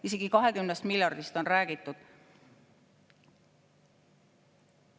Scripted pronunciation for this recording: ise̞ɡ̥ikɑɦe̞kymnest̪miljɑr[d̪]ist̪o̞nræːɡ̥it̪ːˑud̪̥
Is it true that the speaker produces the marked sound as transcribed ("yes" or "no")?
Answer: yes